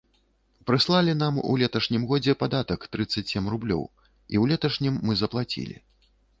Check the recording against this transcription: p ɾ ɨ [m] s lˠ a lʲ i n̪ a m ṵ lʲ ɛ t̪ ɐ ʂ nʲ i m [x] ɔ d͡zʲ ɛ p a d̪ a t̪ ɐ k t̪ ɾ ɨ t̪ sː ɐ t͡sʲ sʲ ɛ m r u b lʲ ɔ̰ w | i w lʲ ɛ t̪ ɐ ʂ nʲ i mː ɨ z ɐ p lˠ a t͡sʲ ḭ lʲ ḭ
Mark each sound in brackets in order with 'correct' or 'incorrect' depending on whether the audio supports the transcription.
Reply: incorrect, incorrect

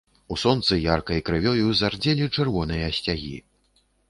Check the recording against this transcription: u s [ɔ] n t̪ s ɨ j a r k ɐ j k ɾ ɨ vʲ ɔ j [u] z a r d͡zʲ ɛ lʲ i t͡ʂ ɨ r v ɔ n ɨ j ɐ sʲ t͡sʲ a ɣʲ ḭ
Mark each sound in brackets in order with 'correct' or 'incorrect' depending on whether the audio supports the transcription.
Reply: correct, correct

